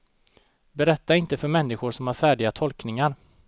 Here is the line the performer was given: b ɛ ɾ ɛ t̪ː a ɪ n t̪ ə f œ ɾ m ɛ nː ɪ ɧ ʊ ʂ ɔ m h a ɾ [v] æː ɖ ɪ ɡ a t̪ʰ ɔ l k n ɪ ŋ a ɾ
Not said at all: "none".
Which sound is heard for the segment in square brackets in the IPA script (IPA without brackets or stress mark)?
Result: f